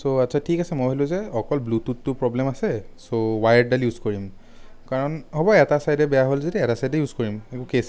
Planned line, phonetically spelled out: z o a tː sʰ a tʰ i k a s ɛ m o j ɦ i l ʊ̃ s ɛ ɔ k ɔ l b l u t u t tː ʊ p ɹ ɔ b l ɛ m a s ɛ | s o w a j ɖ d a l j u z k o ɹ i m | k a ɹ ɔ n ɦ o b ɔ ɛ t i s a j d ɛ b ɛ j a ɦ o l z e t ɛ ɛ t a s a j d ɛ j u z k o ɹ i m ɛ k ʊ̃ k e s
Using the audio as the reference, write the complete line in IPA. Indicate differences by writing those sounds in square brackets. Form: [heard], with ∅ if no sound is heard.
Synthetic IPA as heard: [s] o a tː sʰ a tʰ i k a s ɛ m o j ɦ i l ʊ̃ [z] ɛ ɔ k ɔ l b l u t u t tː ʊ p ɹ ɔ b l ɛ m a s ɛ | s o w a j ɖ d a l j u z k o ɹ i m | k a ɹ ɔ n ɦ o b ɔ ɛ t [a] s a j d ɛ b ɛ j a ɦ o l z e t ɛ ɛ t a s a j d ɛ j u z k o ɹ i m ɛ k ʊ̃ k e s